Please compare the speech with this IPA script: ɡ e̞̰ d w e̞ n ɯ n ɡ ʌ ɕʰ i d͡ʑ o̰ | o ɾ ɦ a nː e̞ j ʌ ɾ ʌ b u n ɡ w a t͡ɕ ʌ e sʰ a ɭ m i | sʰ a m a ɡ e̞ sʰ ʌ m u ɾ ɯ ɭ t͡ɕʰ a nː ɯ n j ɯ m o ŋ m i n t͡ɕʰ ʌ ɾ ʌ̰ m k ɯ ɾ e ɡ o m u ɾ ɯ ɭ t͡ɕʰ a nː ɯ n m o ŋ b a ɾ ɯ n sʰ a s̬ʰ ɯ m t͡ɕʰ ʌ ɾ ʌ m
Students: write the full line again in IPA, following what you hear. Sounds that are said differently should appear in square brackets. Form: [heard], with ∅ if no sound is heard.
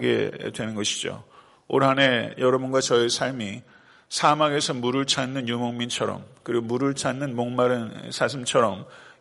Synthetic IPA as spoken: ɡ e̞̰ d w e̞ n ɯ n ɡ ʌ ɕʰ i d͡ʑ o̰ | o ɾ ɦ a [n] e̞ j ʌ ɾ ʌ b u n ɡ w a t͡ɕ ʌ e sʰ a ɭ m i | sʰ a m a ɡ e̞ sʰ ʌ m u ɾ ɯ ɭ t͡ɕʰ a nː ɯ n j [u] m o ŋ m i n t͡ɕʰ ʌ ɾ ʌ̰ m k ɯ ɾ [i] ɡ o m u ɾ ɯ ɭ t͡ɕʰ a nː ɯ n m o ŋ [m] a ɾ ɯ n sʰ a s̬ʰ ɯ m t͡ɕʰ ʌ ɾ ʌ m